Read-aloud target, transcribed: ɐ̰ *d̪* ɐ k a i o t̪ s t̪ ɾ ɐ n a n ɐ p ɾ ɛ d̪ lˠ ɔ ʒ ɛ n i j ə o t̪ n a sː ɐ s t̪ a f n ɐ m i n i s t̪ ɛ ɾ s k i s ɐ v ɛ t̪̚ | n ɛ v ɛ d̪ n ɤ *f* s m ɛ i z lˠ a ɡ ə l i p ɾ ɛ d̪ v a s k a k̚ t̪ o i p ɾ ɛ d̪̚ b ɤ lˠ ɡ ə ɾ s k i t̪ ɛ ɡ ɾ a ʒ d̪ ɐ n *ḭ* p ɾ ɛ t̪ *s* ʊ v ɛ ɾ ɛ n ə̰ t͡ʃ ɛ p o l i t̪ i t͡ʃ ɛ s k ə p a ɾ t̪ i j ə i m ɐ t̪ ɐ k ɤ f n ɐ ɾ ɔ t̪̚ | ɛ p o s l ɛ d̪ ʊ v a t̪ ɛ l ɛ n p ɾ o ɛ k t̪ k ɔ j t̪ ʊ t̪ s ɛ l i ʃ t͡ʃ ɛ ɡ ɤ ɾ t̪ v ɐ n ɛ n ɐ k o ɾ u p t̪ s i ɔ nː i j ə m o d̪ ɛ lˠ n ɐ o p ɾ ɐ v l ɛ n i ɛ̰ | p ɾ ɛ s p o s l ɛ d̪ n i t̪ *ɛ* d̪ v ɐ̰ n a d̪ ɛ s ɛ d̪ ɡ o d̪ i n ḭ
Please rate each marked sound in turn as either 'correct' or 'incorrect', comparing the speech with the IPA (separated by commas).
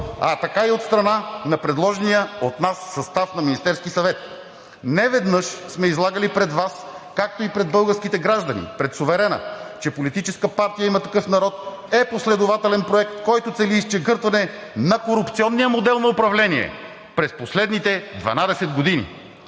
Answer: incorrect, incorrect, correct, correct, correct